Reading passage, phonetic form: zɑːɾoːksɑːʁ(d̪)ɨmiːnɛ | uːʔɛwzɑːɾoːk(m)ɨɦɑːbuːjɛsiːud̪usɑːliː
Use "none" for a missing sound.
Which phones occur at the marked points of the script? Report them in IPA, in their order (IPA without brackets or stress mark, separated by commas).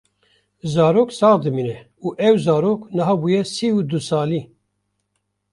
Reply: d̪, n